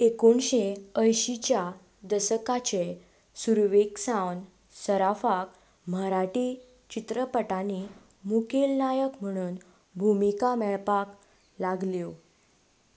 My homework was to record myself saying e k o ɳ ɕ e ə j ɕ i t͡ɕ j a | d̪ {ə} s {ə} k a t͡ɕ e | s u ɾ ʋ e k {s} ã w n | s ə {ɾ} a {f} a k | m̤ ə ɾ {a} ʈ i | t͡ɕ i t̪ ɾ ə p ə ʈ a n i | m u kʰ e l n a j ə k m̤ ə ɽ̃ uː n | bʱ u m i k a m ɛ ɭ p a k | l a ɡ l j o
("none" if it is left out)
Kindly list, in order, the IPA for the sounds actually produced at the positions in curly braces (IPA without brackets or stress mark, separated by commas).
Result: ə, ə, s, ɾ, f, a